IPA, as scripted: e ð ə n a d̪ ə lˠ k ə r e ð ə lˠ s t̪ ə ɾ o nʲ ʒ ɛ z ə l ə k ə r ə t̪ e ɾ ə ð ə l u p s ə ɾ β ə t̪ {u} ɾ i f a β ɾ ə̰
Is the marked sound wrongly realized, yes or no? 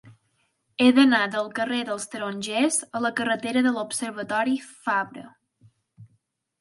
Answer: yes